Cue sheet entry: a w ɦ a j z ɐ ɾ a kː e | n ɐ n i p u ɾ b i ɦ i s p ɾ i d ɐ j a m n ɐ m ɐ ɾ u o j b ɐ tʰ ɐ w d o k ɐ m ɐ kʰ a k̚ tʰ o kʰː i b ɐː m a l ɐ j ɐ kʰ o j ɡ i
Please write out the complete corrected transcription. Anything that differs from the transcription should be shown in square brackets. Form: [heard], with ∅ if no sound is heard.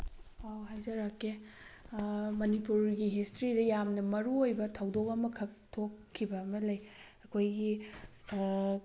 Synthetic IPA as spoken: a w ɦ a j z ɐ ɾ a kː e | [m] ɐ n i p u ɾ [ɡ] i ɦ i s [t] ɾ i d ɐ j a m n ɐ m ɐ ɾ u o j b ɐ tʰ ɐ w d o k ɐ m ɐ kʰ [ɐ] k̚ tʰ o kʰː i b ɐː m [ɐ] l ɐ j ɐ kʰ o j ɡ i